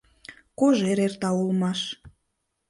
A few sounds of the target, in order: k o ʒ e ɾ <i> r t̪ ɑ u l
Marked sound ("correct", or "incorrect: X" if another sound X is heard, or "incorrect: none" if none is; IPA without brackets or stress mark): incorrect: e